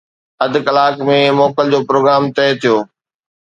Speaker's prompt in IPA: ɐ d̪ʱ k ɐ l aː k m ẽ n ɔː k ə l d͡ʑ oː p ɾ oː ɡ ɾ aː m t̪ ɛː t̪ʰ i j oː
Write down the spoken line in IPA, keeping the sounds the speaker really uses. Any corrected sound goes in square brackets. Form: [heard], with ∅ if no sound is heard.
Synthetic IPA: ɐ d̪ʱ k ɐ l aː k m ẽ [m] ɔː k ə l d͡ʑ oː p ɾ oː ɡ ɾ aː m t̪ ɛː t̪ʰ i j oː